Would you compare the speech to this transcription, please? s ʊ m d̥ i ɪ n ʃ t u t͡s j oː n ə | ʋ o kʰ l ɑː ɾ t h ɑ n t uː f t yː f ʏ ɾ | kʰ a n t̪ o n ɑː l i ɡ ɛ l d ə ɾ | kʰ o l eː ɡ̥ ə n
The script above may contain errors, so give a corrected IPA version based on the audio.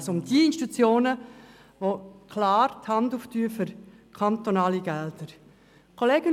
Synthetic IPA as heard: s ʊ m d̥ i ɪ n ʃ t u t͡s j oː n ə | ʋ o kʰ l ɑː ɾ t h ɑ n d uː f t yː f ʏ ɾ | kʰ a n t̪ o n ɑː l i ɡ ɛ l d ə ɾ | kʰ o l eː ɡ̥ ə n